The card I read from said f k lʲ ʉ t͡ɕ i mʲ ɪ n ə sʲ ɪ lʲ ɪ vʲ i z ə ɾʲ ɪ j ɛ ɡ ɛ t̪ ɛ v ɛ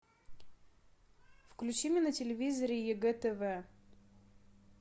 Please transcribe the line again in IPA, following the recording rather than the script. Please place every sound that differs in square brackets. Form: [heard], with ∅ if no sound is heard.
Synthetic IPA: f k lʲ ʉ t͡ɕ i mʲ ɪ n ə [tʲ] ɪ lʲ ɪ vʲ i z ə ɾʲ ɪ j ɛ ɡ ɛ t̪ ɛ v ɛ